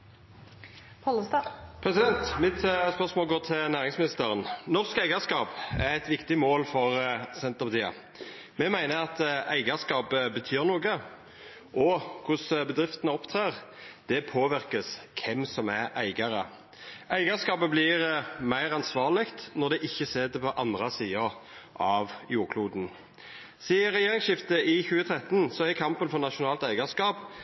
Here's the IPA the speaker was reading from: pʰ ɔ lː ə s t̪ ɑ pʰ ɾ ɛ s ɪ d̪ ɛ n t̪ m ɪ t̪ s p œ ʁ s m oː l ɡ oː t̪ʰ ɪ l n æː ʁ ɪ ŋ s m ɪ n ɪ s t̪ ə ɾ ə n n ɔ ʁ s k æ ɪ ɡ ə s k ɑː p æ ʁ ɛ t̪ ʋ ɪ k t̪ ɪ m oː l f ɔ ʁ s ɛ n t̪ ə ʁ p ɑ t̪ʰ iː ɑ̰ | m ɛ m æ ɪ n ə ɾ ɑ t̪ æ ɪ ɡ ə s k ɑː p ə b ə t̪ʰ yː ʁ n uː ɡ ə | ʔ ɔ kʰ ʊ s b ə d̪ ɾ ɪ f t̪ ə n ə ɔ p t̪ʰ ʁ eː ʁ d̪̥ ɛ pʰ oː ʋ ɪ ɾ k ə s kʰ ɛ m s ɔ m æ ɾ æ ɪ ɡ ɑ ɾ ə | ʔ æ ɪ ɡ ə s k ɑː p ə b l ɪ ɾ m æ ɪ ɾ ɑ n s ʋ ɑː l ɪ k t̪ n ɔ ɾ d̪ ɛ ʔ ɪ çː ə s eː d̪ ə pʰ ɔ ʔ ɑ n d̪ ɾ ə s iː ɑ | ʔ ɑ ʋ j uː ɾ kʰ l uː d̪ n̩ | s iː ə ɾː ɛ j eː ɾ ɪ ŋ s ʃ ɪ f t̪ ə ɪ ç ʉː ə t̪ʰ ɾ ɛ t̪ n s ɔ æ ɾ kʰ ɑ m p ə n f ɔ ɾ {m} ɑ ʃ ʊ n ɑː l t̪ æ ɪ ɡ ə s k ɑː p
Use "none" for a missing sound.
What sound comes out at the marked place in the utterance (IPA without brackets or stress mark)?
n